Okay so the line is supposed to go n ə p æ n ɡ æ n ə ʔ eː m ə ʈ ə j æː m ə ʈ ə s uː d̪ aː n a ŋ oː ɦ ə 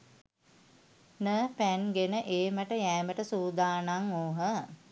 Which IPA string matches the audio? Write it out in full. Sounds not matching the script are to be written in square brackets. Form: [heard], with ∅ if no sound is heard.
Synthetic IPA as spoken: n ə p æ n ɡ [e] n ə ʔ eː m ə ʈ ə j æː m ə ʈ ə s uː d̪ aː n a ŋ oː ɦ ə